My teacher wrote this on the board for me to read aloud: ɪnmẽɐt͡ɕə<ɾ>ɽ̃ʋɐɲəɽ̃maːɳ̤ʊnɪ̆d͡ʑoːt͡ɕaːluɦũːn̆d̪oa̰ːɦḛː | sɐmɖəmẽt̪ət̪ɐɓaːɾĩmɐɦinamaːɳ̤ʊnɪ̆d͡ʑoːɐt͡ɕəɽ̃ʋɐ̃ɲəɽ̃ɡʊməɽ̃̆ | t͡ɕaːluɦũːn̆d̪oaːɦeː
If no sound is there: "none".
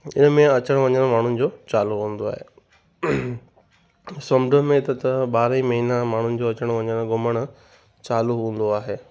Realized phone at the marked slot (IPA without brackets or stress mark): none